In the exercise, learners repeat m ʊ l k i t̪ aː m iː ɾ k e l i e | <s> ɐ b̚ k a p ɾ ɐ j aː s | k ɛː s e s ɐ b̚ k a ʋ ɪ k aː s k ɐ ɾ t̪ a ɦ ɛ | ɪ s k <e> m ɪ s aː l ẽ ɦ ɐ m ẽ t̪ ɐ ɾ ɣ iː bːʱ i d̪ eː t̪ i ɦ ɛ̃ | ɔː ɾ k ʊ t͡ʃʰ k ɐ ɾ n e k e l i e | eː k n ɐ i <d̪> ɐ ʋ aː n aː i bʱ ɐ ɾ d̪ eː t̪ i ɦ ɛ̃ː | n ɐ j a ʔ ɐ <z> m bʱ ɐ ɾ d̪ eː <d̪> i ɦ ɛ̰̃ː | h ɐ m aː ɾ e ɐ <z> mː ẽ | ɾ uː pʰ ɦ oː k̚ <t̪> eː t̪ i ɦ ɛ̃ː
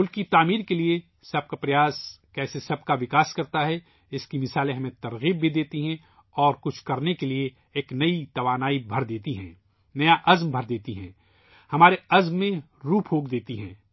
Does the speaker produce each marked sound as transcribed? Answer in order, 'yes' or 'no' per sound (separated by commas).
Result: yes, no, no, yes, no, yes, no